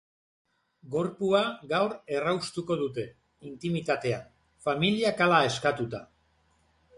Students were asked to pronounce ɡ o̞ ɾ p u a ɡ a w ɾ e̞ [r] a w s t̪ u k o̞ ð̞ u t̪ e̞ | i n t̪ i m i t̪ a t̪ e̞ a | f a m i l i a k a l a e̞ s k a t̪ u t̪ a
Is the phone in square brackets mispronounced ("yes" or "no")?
no